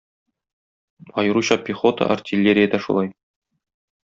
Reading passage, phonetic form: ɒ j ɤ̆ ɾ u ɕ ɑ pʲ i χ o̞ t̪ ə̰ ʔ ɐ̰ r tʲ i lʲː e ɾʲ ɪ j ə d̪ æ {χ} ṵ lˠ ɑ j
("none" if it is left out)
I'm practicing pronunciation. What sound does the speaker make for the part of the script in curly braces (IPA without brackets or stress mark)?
ʃ